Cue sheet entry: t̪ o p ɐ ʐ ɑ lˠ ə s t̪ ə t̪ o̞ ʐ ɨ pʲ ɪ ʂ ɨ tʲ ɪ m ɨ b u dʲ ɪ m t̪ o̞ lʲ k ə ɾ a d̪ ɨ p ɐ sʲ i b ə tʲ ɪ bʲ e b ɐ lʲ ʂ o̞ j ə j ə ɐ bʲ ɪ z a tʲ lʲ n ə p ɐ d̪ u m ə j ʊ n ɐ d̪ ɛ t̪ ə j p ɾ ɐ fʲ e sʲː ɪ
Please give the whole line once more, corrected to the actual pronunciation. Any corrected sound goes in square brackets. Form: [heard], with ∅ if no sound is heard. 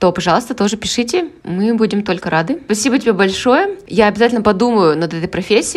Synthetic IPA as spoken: t̪ o p ɐ ʐ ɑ lˠ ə s t̪ ə t̪ o̞ ʐ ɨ pʲ ɪ ʂ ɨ tʲ ɪ m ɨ b u dʲ ɪ m t̪ o̞ lʲ k ə ɾ a d̪ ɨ p ɐ sʲ i b ə tʲ ɪ bʲ e b ɐ lʲ ʂ o̞ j ə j [a] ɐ bʲ ɪ z a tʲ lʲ n ə p ɐ d̪ u m ə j ʊ n ɐ d̪ ɛ t̪ ə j p ɾ ɐ fʲ e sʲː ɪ